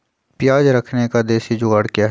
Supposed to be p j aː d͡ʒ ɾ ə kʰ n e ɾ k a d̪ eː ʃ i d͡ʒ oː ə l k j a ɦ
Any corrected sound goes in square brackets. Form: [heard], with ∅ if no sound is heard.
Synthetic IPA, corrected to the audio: p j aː d͡ʒ ɾ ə kʰ n e [∅] k a d̪ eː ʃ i d͡ʒ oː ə [ɽ] k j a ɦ

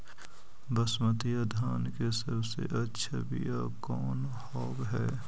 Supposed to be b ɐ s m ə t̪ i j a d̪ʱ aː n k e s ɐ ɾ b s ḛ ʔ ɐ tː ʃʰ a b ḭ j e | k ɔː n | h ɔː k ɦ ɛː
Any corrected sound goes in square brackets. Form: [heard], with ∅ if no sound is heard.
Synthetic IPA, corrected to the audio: b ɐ s m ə t̪ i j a d̪ʱ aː n k e s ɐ ɾ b s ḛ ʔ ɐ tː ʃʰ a b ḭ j [a] | k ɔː n | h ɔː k ɦ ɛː

